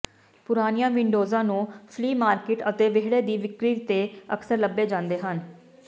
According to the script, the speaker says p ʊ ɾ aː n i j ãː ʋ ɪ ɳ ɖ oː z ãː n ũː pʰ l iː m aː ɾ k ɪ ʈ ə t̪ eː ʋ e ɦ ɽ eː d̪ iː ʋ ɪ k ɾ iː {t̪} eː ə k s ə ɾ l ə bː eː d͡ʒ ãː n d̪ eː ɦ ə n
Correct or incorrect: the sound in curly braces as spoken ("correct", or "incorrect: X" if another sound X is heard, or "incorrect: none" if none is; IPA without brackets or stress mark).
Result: correct